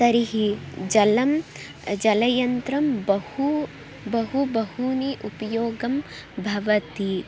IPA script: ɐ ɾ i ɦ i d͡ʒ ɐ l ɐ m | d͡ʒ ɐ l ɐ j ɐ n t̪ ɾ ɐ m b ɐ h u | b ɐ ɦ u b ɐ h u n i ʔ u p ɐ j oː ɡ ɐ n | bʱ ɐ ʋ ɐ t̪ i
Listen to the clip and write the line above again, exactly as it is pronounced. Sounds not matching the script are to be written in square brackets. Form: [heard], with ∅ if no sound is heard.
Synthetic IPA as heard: ɐ ɾ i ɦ i d͡ʒ ɐ l ɐ m | d͡ʒ ɐ l ɐ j ɐ n t̪ ɾ ɐ m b ɐ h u | b ɐ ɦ u b ɐ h u n i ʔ u p ɐ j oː ɡ ɐ [m] | bʱ ɐ ʋ ɐ t̪ i